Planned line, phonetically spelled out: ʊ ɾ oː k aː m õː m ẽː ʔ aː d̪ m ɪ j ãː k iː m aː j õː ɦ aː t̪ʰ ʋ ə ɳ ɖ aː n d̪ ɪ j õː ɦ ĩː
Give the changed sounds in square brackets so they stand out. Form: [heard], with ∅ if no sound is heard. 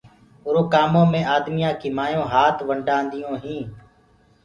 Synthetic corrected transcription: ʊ ɾ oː k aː m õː m ẽː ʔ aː d̪ m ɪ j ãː k iː m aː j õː ɦ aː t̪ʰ ʋ ə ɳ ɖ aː n d̪ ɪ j õː ɦ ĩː